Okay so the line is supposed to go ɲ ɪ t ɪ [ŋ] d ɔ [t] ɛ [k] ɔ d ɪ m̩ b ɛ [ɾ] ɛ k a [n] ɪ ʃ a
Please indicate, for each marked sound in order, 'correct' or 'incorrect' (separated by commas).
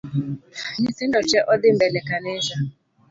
incorrect, incorrect, incorrect, incorrect, correct